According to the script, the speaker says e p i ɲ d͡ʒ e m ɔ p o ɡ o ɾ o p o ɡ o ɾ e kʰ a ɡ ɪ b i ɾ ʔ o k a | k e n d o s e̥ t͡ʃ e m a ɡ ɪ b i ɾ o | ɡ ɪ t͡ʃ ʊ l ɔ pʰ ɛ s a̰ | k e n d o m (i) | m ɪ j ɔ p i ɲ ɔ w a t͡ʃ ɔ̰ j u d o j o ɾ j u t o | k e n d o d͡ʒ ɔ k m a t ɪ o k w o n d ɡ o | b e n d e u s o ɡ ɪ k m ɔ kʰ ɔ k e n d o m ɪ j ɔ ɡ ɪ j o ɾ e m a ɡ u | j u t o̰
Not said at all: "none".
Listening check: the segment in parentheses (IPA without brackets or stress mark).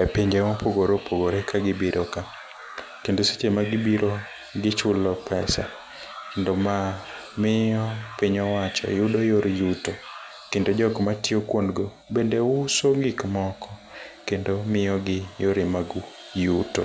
a